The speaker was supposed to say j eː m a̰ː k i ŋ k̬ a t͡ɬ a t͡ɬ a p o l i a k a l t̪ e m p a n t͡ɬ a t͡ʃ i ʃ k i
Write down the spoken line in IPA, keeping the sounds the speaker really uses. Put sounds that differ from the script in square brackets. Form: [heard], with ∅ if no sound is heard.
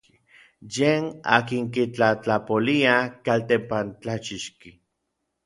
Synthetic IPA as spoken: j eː [n] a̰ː k i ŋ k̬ [i] t͡ɬ a t͡ɬ a p o l i a k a l t̪ e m p a n t͡ɬ a t͡ʃ i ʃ k i